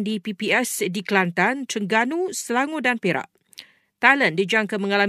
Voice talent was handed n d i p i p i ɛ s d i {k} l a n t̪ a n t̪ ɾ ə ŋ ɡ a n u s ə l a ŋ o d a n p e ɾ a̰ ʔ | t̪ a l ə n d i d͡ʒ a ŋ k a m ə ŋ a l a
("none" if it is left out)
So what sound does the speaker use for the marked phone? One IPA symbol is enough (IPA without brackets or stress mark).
k